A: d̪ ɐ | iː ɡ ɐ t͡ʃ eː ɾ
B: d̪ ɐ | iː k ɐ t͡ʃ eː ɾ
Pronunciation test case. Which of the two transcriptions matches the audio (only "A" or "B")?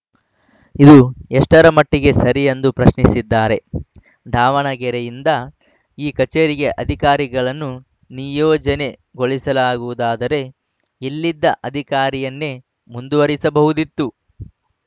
B